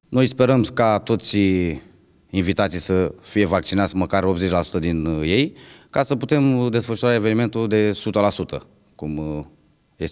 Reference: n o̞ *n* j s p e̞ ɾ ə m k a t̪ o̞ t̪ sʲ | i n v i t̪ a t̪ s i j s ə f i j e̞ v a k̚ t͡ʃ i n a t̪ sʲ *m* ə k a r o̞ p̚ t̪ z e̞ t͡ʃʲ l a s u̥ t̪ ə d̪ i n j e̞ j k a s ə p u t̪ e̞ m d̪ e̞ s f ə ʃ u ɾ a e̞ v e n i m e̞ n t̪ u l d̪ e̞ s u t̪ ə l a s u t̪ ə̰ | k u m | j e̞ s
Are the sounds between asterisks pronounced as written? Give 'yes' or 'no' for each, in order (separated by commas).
no, yes